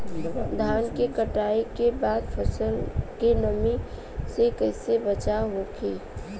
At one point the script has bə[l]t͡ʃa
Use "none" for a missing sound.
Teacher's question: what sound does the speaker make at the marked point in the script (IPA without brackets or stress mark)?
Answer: none